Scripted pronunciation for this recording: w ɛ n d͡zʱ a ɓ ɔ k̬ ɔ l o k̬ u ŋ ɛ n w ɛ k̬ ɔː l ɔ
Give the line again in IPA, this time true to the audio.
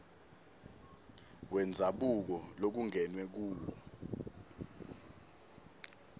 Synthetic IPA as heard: w ɛ n d͡zʱ a ɓ u k̬ ɔ l o k̬ u ŋ ɛ n w ɛ k̬ uː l ɔ